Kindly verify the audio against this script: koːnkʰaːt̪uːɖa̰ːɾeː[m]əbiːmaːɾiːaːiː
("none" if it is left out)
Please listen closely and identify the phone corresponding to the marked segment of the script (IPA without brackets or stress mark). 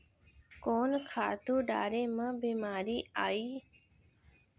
m